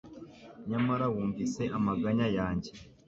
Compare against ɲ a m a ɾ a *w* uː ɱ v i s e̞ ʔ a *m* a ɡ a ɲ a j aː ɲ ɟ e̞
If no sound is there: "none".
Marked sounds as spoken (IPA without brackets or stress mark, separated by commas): w, m